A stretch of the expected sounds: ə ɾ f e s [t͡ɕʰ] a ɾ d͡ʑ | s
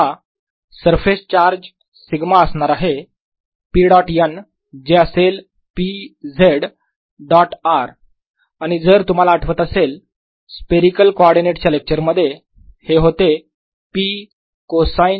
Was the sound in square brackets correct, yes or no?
no